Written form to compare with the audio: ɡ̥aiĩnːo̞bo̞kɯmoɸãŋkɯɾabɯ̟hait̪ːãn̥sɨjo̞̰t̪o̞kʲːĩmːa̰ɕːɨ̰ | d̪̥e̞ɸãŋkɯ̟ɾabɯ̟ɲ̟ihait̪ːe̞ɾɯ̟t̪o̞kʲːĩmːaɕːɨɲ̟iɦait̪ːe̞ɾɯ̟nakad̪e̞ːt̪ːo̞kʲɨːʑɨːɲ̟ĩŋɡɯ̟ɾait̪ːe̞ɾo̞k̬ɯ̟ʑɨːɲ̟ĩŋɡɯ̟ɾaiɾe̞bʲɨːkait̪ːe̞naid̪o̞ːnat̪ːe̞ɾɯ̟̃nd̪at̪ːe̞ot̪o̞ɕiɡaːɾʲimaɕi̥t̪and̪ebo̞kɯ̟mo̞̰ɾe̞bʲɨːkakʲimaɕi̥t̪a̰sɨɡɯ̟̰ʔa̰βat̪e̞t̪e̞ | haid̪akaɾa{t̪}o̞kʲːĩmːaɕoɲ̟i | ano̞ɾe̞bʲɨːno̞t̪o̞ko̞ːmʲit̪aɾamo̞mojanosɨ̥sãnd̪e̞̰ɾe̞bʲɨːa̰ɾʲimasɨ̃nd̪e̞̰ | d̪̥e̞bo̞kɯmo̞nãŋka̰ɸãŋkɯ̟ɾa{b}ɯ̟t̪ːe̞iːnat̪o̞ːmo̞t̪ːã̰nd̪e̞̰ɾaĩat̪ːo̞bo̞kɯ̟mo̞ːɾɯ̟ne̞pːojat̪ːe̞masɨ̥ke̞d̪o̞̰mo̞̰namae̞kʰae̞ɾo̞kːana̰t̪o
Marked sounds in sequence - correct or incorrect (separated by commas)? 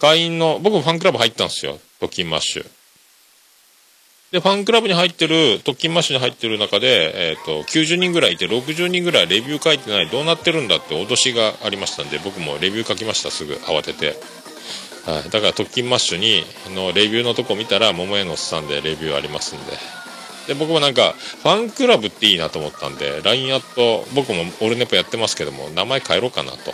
correct, correct